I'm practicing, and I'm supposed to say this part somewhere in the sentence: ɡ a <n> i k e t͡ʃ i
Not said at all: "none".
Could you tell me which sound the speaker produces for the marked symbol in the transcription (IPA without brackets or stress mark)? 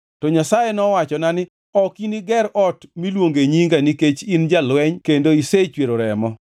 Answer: n